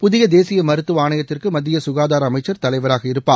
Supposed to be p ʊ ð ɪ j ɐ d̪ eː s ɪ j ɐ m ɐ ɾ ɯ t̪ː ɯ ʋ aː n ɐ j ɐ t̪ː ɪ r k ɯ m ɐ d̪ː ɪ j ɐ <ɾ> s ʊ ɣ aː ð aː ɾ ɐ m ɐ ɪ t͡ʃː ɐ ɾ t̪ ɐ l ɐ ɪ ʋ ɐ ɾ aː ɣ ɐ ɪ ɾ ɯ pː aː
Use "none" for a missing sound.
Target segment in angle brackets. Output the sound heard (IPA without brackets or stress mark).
none